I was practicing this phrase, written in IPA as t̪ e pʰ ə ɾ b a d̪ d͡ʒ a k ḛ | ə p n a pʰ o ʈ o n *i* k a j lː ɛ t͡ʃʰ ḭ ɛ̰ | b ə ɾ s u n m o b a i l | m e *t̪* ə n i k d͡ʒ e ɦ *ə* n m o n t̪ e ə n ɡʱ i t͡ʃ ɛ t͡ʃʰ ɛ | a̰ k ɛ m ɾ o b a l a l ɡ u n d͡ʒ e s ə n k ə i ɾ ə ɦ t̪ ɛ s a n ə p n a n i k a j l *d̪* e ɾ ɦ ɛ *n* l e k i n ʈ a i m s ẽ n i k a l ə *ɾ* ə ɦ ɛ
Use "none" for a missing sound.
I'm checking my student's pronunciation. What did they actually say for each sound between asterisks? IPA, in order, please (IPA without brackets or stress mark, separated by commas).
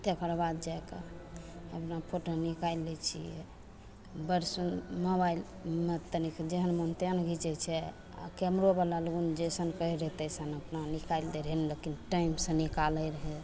i, t̪, ə, d̪, n, ɾ